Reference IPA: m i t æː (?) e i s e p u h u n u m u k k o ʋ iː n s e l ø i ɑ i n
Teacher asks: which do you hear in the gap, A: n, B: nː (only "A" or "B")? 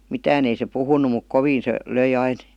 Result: A